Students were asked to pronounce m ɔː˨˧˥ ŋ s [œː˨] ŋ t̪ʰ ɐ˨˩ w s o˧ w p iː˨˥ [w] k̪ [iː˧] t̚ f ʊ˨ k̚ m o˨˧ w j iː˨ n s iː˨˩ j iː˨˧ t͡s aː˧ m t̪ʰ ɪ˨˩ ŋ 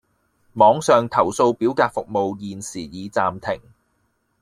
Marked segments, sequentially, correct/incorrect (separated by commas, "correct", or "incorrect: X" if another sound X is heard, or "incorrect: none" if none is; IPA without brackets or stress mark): correct, correct, incorrect: aː˧